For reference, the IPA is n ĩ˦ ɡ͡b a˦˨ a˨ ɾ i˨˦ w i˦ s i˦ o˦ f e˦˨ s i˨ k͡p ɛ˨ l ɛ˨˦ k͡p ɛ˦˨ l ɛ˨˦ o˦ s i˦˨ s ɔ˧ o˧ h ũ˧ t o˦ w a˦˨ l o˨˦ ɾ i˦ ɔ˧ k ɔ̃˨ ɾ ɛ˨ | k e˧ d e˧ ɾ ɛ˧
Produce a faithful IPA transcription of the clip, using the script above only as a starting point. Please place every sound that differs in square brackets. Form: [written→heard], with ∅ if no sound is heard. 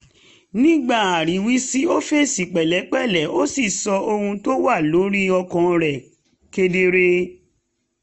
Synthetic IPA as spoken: n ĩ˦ ɡ͡b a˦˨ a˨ ɾ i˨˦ w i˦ s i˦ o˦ f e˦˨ s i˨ k͡p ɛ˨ l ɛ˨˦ k͡p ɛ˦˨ l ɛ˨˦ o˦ s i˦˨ s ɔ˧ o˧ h ũ˧ t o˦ w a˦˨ l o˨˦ ɾ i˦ ɔ˧ k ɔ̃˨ ɾ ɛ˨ | k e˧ d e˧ ɾ [ɛ˧→e˧]